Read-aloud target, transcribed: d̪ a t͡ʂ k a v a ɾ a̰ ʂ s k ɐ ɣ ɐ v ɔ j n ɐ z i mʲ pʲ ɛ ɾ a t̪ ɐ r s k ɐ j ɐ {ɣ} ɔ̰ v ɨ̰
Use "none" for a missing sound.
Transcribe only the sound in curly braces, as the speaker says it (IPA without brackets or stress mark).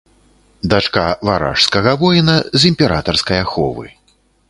x